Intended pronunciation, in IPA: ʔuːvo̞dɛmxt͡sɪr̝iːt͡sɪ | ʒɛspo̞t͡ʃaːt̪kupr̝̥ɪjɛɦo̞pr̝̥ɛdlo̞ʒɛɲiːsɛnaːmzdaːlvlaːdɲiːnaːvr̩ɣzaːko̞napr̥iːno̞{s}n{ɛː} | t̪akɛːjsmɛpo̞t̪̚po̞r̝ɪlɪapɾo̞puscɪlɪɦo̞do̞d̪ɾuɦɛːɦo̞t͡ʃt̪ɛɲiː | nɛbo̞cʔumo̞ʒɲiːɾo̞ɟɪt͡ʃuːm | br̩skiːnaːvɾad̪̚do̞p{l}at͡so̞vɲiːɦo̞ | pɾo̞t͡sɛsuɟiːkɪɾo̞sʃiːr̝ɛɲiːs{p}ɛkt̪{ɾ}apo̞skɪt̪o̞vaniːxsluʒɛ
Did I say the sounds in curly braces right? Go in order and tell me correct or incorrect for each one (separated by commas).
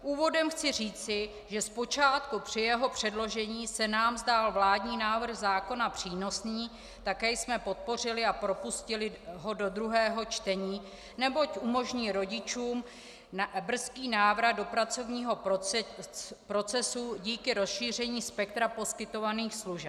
correct, incorrect, incorrect, correct, correct